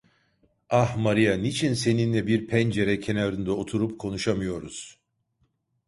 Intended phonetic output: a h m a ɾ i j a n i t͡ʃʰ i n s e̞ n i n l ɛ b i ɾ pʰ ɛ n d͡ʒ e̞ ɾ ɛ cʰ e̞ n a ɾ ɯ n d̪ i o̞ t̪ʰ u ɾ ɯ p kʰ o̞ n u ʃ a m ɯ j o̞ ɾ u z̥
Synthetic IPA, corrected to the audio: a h m a ɾ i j a n i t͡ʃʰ i n s e̞ n i n l ɛ b i ɾ pʰ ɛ n d͡ʒ e̞ ɾ ɛ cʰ e̞ n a ɾ ɯ n d̪ a o̞ t̪ʰ u ɾ u p kʰ o̞ n u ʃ a m ɯ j o̞ ɾ u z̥